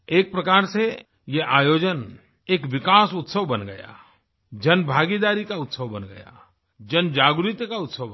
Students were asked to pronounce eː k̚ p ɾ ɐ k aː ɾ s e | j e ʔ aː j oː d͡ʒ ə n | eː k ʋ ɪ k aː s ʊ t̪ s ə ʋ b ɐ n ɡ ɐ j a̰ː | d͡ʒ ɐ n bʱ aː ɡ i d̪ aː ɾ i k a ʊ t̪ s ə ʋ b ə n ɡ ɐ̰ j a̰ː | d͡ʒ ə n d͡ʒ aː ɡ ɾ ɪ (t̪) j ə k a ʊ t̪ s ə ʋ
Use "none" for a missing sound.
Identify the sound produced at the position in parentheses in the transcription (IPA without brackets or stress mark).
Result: t̪